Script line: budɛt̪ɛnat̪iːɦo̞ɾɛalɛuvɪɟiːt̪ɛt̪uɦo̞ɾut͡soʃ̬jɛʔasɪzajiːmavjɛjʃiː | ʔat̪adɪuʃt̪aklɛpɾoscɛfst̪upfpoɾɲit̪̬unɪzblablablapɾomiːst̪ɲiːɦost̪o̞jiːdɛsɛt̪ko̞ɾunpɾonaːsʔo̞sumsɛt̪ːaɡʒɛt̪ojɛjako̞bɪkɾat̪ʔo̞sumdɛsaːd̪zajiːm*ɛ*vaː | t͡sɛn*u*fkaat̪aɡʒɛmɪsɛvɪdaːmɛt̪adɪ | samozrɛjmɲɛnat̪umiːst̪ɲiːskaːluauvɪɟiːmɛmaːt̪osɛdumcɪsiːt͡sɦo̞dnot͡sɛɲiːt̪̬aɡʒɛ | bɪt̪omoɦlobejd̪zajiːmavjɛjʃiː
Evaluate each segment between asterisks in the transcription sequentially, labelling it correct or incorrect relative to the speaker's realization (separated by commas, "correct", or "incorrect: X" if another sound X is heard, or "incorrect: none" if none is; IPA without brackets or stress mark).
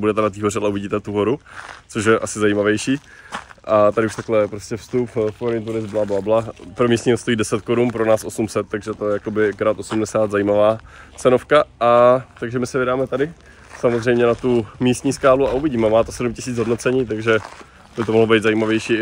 incorrect: a, incorrect: o